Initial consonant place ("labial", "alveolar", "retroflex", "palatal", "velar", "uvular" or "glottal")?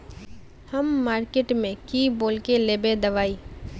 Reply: glottal